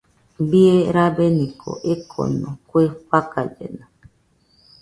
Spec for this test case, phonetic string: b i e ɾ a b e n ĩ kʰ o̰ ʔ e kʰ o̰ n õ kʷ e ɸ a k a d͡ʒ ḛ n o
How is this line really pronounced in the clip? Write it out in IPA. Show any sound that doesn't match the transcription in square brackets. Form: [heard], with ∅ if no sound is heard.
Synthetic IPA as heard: b i e ɾ a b e n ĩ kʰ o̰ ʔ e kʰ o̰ n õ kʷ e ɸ a k a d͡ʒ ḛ n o